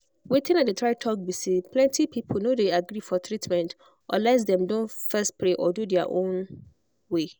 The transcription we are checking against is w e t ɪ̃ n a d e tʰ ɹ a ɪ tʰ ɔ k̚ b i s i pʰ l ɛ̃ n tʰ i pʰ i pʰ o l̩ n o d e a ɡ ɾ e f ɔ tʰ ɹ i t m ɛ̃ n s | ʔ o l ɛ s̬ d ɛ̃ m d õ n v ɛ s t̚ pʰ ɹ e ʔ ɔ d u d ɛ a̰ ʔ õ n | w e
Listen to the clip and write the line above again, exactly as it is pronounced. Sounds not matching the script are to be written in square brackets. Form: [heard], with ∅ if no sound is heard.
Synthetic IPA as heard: w e t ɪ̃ n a d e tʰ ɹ a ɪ tʰ ɔ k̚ b i s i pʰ l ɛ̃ n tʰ i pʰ i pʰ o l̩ n o d e a ɡ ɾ [i] f ɔ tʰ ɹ i t m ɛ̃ n [t] | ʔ [ɔ] l ɛ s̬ d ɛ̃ m d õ n [f] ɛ s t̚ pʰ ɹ e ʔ ɔ d u d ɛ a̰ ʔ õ n | w e